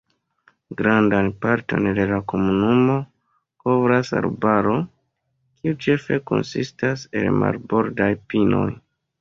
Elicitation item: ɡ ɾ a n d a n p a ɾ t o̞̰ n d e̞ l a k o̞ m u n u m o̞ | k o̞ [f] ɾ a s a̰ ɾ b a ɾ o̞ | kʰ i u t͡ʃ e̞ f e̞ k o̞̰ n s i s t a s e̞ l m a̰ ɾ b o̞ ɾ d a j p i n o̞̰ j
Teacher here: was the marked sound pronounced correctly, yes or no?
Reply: no